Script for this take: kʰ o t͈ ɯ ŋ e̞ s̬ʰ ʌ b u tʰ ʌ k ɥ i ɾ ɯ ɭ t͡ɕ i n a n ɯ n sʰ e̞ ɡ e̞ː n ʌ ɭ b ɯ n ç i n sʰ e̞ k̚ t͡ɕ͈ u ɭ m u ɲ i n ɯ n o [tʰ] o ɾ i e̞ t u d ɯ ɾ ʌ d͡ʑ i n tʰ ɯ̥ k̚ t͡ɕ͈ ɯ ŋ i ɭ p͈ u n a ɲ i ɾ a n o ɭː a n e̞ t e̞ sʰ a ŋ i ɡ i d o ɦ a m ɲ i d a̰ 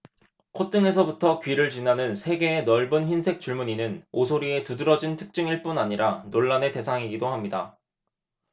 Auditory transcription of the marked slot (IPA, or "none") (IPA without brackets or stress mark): sʰ